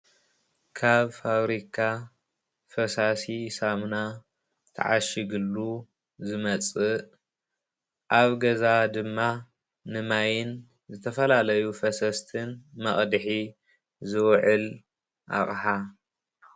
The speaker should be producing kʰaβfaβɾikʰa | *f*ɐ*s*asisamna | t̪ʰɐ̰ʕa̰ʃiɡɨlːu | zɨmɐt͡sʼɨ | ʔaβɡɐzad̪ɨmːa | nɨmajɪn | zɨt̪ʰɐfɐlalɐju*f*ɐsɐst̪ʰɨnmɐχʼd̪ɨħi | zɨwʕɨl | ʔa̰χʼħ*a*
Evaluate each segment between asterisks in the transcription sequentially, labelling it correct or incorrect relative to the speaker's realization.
correct, correct, correct, correct

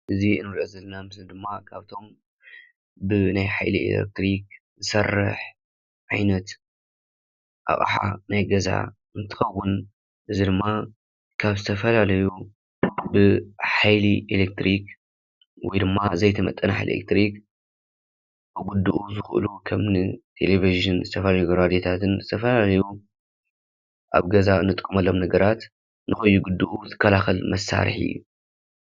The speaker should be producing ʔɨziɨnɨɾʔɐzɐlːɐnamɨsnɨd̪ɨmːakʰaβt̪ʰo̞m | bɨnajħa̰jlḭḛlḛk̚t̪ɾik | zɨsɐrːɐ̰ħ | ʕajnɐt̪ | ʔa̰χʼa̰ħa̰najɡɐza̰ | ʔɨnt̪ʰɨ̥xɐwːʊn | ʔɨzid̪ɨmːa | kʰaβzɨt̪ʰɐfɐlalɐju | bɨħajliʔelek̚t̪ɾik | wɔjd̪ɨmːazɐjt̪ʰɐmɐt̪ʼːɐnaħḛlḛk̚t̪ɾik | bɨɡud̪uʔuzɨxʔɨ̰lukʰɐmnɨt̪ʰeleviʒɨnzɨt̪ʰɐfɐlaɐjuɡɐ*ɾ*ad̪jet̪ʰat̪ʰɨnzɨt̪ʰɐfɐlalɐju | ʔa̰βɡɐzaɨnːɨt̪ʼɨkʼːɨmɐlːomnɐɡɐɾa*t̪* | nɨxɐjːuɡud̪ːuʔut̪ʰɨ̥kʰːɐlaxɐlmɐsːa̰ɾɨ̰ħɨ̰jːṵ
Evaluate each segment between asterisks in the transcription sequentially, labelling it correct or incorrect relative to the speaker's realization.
correct, correct

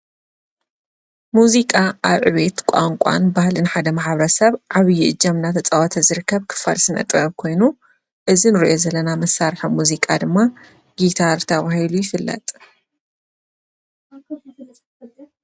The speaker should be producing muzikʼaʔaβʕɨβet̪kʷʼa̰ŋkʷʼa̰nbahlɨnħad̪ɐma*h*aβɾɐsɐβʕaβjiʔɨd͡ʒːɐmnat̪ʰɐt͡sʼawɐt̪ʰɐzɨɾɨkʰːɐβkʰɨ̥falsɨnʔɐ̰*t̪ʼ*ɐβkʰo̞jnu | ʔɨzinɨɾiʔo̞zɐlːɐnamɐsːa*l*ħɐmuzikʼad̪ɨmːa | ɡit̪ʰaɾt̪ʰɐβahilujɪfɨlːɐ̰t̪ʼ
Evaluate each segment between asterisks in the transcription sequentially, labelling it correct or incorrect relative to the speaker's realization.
incorrect: ħ, correct, incorrect: ɾ

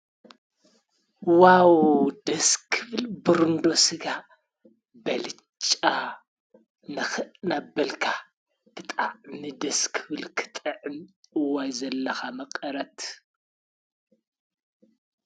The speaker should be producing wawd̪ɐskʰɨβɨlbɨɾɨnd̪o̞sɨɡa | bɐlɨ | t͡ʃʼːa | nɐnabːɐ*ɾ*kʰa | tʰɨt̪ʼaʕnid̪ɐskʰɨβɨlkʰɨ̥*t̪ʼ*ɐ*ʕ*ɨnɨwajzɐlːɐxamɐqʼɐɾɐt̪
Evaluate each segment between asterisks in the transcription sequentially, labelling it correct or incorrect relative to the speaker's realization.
incorrect: l, correct, correct

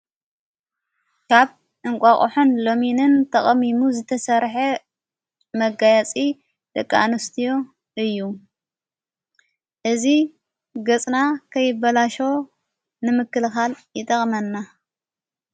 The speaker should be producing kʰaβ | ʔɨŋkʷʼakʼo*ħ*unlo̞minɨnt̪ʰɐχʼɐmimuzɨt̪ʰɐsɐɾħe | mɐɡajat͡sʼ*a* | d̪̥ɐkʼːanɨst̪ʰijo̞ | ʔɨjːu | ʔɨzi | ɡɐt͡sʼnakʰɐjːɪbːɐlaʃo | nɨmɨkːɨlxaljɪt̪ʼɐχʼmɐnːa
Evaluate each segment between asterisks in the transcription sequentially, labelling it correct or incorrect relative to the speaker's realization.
correct, incorrect: i

